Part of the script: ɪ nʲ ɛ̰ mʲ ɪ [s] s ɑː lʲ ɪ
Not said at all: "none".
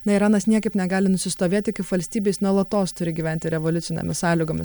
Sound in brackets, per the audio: s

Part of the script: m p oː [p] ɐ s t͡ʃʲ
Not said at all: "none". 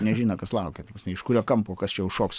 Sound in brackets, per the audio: k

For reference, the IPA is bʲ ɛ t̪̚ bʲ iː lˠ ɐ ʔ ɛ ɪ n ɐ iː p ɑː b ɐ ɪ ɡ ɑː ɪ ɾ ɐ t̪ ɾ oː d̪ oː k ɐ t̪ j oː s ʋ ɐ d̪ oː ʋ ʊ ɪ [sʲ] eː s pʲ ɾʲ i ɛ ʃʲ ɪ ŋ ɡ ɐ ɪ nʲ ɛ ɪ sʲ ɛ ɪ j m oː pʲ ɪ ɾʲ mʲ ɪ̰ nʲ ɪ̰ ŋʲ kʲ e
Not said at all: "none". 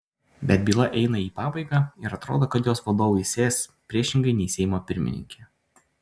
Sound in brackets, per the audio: sʲ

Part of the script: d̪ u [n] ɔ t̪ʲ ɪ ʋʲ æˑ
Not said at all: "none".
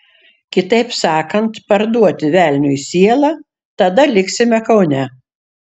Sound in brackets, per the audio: none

